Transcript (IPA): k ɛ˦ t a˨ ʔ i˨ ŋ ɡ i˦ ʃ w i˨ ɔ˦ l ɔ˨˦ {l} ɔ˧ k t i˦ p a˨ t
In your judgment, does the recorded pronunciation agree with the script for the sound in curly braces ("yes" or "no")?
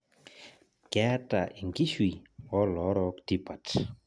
no